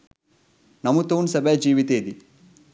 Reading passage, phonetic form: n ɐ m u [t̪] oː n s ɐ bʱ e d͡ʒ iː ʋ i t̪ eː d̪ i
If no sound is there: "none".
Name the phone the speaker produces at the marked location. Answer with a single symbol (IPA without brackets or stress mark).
t̪